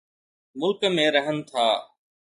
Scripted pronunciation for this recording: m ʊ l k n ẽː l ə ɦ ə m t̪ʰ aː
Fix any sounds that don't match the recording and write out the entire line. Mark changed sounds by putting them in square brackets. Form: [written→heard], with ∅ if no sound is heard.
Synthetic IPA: m ʊ l k [n→m] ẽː [l→ɾ] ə ɦ ə [m→n] t̪ʰ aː